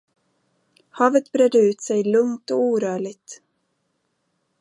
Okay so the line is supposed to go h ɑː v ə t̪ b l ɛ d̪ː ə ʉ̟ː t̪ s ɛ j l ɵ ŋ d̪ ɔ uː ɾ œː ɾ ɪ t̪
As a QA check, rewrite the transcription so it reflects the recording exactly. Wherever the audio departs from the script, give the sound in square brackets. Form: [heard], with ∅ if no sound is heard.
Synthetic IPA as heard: h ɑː v ə t̪ b [ɾ] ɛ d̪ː ə ʉ̟ː t̪ s ɛ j l ɵ ŋ [t̪] ɔ uː ɾ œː [ɭ] ɪ t̪